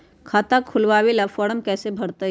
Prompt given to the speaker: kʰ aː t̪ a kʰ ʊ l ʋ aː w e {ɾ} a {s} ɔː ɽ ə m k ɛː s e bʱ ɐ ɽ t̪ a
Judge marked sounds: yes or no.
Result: no, no

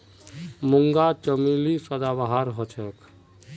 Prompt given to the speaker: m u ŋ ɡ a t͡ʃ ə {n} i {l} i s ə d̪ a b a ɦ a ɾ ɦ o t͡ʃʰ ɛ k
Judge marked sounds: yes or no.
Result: no, yes

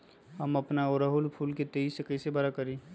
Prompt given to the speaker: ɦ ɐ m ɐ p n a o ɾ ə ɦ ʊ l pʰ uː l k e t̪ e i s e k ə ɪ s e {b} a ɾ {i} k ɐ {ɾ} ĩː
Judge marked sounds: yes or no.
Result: yes, no, yes

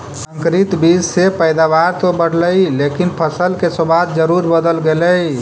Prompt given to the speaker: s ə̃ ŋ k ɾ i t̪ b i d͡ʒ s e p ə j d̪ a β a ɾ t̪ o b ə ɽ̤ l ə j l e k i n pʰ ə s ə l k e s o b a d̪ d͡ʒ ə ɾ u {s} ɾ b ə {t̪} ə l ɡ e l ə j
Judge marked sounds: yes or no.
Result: no, no

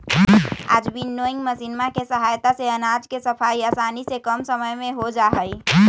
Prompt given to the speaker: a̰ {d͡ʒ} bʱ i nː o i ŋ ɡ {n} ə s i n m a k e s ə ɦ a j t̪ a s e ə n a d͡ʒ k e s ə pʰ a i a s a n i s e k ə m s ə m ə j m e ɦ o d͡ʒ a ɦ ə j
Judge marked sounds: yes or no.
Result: yes, no

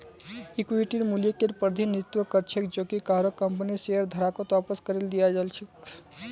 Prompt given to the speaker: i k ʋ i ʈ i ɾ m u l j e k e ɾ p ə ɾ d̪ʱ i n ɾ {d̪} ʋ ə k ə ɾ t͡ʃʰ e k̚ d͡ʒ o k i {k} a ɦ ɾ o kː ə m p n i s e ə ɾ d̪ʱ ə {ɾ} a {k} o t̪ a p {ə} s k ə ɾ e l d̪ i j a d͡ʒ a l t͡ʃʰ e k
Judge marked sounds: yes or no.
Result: no, yes, yes, yes, yes

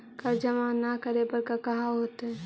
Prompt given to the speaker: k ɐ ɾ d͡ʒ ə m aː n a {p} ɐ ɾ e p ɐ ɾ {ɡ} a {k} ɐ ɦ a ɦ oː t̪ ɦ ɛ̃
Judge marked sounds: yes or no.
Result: no, no, yes

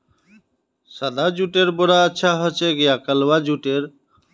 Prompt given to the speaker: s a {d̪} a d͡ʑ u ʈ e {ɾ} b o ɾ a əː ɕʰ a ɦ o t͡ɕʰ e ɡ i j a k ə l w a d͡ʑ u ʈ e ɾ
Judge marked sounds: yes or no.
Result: yes, yes

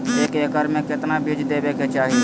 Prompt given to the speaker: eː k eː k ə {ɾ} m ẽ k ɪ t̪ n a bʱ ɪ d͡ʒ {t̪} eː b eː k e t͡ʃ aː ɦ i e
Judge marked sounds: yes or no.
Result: yes, no

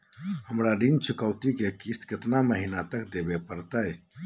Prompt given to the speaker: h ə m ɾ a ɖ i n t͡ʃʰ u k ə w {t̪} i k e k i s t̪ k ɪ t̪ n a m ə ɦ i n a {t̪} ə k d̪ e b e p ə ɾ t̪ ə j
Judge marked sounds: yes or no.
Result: yes, yes

